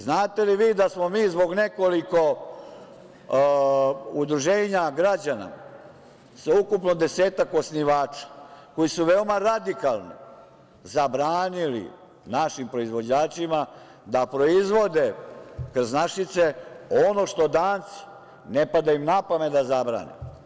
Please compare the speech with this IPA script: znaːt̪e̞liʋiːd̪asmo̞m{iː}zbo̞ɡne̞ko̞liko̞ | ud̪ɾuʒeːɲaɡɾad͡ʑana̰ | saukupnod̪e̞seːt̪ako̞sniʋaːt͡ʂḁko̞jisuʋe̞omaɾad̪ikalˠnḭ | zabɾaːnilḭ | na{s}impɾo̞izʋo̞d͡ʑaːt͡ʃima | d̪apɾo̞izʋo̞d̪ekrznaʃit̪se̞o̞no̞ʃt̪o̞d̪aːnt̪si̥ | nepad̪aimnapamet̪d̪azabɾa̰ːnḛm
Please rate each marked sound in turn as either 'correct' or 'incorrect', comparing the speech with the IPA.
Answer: correct, incorrect

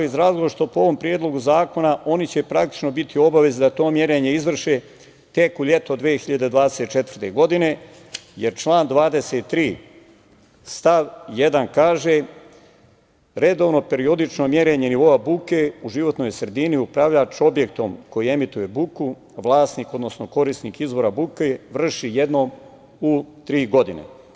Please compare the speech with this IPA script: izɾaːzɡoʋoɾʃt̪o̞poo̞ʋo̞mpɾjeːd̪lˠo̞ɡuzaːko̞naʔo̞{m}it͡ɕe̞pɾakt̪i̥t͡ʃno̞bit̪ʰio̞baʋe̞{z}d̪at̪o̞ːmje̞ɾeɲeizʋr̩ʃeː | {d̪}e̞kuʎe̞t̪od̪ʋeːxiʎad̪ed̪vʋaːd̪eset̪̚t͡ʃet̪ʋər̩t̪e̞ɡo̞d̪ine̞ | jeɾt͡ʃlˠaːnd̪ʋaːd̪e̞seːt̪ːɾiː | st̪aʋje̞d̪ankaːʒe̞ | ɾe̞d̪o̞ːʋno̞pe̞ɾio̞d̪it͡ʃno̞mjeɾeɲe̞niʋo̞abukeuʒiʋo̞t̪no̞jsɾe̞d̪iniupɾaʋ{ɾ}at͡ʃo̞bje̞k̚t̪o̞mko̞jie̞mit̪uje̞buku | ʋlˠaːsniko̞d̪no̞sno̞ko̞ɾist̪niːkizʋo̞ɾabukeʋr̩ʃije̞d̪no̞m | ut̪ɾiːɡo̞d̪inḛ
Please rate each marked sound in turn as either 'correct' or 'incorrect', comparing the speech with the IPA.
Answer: incorrect, correct, incorrect, incorrect

